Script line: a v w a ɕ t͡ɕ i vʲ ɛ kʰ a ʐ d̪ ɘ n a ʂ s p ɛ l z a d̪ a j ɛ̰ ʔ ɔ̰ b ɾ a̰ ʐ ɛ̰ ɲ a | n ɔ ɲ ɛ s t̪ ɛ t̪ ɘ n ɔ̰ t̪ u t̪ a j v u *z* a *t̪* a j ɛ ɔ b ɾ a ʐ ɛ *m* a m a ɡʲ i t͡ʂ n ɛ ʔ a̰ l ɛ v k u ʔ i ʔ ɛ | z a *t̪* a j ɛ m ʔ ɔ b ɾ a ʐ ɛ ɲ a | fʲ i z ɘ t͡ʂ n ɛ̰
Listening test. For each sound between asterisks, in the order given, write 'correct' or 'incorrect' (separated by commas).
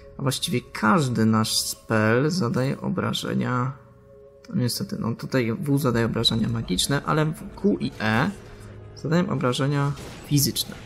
correct, incorrect, incorrect, incorrect